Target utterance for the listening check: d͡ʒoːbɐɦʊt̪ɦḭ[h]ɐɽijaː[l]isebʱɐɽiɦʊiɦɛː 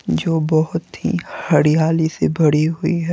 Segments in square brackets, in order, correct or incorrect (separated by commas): correct, correct